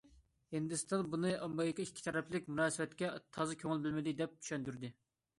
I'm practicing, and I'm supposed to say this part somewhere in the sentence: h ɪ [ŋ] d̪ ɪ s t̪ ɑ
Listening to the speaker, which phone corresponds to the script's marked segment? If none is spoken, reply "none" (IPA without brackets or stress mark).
n